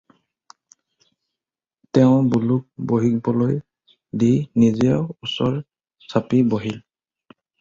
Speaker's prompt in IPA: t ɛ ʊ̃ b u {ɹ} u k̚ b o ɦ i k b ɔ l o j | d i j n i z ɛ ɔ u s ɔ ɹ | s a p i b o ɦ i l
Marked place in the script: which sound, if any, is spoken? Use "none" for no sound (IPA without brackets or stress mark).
l